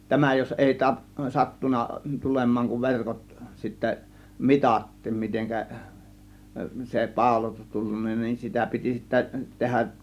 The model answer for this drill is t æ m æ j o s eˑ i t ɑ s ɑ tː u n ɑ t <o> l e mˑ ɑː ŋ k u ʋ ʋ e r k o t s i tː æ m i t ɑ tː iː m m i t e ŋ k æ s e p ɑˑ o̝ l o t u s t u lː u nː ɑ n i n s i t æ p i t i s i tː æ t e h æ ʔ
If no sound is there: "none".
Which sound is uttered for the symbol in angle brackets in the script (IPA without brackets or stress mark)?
u